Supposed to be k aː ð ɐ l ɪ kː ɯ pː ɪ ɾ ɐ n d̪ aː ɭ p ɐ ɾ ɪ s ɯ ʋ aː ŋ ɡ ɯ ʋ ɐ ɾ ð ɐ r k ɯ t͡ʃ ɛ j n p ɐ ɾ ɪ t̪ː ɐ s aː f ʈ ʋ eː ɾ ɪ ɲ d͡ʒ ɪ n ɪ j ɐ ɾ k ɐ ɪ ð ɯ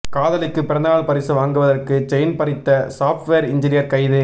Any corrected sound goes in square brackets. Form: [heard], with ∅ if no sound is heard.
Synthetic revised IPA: k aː ð ɐ l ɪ kː ɯ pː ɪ ɾ ɐ n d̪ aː ɭ p ɐ ɾ ɪ s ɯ ʋ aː ŋ ɡ ɯ ʋ ɐ [∅] ð ɐ r k ɯ t͡ʃ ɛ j n p ɐ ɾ ɪ t̪ː ɐ s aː f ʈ ʋ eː ɾ ɪ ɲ d͡ʒ ɪ n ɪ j ɐ ɾ k ɐ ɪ ð ɯ